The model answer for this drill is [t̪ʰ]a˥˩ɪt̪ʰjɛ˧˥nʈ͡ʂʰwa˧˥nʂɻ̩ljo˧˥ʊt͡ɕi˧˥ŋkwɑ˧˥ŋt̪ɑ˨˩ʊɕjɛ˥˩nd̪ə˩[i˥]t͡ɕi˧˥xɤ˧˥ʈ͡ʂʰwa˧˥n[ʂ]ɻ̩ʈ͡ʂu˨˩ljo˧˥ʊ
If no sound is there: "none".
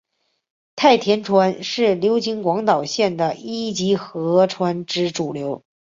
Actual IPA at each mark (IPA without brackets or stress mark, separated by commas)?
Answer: t̪ʰ, i˥, ʈ͡ʂ